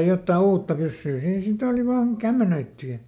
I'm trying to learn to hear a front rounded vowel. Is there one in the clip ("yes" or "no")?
yes